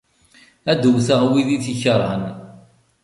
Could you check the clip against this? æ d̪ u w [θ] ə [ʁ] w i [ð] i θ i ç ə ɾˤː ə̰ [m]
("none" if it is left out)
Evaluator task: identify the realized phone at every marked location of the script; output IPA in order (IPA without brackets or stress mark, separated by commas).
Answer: θ, ʁ, ð, n